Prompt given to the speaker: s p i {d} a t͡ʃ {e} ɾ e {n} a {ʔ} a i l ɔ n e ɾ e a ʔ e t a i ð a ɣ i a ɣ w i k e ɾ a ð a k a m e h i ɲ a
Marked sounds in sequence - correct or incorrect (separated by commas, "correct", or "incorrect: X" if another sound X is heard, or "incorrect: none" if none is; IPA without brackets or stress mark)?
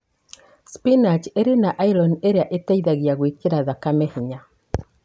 incorrect: n, correct, correct, correct